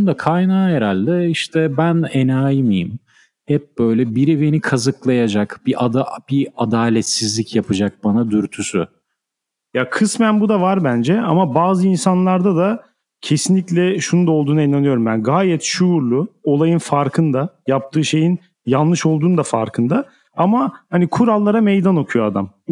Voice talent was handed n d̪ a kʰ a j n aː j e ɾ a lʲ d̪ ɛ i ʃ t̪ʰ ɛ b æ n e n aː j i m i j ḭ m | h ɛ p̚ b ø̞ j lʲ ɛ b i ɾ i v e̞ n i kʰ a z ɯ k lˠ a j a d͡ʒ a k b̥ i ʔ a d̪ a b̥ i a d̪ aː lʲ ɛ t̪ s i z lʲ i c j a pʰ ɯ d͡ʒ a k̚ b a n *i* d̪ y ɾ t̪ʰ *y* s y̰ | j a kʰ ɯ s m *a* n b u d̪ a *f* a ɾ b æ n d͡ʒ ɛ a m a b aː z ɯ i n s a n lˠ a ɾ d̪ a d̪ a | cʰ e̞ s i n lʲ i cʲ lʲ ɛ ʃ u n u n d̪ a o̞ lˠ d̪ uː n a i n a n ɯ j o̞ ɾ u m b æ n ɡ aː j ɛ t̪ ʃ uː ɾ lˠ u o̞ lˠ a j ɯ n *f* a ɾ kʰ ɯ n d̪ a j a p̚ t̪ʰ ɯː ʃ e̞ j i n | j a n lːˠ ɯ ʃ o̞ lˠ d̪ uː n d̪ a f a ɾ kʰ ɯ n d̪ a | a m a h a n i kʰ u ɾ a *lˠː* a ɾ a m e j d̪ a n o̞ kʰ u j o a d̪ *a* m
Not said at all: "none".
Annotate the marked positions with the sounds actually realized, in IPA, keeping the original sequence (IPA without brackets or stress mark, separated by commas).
a, y, æ, v, f, lˠː, a